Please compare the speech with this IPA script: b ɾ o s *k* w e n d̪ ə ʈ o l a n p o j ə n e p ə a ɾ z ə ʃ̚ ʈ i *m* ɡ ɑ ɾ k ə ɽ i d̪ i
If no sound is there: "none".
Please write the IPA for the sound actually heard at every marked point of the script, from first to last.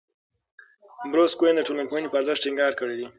k, ŋ

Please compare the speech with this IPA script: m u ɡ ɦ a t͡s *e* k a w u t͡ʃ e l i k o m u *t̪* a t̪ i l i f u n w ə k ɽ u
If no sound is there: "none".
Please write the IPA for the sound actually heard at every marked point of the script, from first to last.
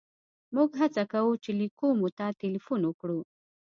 a, t̪

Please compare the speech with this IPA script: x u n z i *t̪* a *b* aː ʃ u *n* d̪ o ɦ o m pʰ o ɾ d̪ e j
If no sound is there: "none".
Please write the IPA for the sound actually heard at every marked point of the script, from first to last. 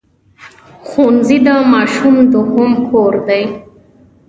d̪, m, m

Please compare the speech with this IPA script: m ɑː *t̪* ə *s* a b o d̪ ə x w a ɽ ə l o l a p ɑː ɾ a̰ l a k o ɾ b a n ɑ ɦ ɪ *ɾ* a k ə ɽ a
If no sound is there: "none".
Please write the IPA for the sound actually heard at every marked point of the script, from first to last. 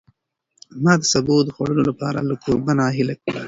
d̪, s, l

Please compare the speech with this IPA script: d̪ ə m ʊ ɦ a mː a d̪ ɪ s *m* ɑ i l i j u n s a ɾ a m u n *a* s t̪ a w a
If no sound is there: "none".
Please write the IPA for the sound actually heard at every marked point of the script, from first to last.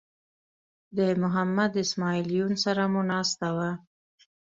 m, ɑ

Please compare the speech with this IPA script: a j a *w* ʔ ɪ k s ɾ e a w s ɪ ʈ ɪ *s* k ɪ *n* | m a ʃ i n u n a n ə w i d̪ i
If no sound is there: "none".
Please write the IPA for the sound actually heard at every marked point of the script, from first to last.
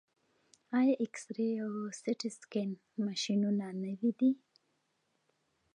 none, s, n

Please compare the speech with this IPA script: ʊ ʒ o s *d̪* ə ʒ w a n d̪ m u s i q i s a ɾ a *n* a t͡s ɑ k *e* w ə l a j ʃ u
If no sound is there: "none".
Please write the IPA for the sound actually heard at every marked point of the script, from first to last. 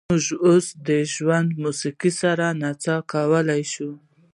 d̪, n, a

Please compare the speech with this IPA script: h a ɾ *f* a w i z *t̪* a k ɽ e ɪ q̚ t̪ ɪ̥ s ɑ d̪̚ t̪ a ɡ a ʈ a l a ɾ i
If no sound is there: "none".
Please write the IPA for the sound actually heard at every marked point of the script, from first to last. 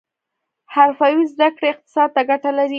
f, d̪

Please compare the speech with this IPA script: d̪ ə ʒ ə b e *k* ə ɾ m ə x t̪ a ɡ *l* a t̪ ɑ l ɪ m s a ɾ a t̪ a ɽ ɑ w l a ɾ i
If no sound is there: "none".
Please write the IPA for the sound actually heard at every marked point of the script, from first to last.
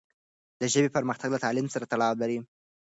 p, l

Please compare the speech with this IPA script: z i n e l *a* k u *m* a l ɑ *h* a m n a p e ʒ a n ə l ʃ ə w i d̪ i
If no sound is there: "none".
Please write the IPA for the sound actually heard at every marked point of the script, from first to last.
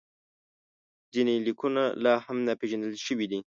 i, n, h

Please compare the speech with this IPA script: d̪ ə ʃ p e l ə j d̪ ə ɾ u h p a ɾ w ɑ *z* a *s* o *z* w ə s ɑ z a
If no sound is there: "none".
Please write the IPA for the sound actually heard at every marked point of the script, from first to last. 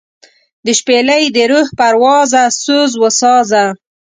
z, s, z

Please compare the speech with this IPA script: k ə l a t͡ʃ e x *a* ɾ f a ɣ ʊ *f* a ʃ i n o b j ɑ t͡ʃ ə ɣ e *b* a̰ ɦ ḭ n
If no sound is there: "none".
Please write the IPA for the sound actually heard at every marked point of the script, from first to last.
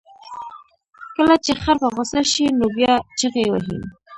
a, s, w

